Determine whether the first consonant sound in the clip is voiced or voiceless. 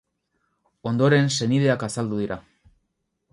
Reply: voiced